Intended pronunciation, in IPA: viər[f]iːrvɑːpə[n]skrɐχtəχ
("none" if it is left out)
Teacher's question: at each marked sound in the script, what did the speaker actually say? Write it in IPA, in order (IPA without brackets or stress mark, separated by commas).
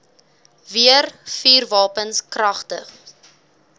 f, n